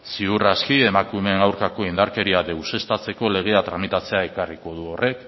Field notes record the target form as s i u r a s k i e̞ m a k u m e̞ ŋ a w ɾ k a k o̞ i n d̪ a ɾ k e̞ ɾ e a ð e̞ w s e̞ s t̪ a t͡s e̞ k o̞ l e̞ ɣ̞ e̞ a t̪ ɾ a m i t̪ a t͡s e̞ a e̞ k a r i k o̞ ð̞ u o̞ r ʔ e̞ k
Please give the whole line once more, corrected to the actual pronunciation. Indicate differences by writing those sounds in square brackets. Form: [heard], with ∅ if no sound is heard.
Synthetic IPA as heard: s i u r a s k i e̞ m a k u m e̞ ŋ a w ɾ k a k o̞ i n d̪ a ɾ k e̞ ɾ [i] a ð e̞ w s e̞ s t̪ a t͡s e̞ k o̞ l e̞ ɣ̞ e̞ a t̪ ɾ a m i t̪ a t͡s e̞ a e̞ k a r i k o̞ ð̞ u o̞ r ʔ e̞ k